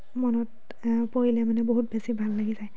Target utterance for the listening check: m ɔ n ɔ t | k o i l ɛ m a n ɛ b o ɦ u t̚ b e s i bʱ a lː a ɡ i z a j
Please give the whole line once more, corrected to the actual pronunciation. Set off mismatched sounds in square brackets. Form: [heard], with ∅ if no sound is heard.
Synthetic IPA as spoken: m ɔ n ɔ t | [p] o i l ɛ m a n ɛ b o ɦ u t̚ b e s i bʱ a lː a ɡ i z a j